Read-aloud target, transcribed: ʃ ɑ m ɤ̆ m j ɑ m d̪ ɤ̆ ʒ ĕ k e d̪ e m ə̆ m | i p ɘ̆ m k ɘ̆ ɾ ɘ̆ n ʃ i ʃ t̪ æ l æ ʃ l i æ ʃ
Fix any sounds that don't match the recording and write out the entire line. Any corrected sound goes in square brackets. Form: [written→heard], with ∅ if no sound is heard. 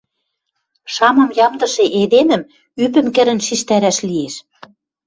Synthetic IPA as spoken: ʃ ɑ m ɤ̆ m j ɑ m d̪ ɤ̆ [ʒ→ʃ] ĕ [k→ʔ] e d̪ e m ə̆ m | [i→y] p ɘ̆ m k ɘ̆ ɾ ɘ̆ n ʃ i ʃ t̪ æ [l→ɾ] æ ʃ l i [æ→e] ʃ